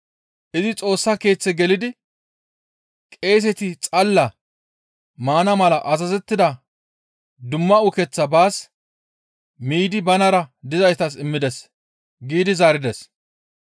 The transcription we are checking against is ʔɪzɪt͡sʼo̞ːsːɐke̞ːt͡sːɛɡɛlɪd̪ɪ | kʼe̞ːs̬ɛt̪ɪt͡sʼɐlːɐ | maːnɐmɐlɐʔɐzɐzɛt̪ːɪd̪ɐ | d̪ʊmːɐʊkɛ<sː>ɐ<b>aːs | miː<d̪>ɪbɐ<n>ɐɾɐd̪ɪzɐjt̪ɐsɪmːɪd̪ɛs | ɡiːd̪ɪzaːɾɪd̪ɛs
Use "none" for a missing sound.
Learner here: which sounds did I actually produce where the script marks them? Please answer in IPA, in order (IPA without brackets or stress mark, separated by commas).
t͡sː, b, d̪, n